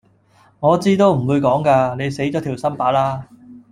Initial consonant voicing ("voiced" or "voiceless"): voiced